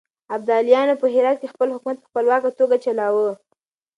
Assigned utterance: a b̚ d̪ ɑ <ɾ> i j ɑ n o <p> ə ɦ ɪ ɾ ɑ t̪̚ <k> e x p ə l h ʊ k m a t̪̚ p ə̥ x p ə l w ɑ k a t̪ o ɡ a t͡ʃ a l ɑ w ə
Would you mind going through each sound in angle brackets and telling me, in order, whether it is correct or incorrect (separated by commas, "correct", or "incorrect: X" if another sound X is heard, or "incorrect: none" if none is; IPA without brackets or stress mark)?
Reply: incorrect: l, correct, correct